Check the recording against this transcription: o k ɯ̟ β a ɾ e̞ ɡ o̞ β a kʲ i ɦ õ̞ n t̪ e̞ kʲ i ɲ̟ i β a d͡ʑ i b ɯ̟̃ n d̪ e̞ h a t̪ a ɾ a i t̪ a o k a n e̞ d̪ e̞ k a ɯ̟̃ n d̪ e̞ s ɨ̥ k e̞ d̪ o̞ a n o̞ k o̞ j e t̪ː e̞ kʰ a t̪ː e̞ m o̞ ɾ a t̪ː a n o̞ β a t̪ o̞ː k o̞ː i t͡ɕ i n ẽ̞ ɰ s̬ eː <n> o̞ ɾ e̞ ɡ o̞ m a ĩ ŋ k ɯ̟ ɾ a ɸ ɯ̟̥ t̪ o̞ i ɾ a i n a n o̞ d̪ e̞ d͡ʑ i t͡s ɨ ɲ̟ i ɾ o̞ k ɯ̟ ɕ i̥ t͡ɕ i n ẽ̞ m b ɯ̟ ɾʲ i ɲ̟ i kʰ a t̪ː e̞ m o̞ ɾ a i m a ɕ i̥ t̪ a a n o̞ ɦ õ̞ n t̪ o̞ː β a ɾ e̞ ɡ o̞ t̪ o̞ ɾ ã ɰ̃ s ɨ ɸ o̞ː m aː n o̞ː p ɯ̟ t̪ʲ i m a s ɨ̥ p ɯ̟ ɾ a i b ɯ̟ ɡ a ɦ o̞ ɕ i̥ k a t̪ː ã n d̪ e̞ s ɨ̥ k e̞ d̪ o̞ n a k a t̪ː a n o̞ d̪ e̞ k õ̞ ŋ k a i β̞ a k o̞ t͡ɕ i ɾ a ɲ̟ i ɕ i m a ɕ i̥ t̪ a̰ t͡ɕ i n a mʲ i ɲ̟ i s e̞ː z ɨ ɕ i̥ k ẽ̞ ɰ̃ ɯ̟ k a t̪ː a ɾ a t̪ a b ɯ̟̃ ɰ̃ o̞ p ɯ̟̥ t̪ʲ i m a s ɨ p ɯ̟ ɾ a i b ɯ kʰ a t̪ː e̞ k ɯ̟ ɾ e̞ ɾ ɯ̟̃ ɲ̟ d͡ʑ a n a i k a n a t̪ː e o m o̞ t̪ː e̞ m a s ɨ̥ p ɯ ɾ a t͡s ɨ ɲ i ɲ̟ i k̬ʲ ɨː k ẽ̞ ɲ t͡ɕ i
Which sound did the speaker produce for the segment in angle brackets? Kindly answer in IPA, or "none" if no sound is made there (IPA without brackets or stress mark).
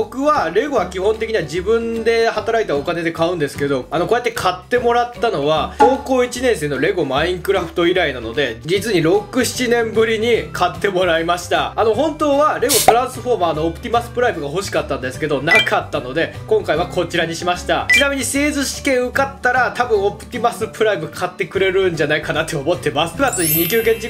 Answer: n